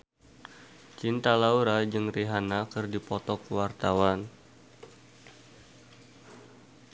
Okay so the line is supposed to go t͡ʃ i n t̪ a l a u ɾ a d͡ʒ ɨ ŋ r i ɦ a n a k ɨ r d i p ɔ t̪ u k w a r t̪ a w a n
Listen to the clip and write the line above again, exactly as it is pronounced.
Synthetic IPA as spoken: t͡ʃ i n t̪ a l a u ɾ a d͡ʒ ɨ ŋ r i ɦ a n a k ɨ r d i p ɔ t̪ ɔ k w a r t̪ a w a n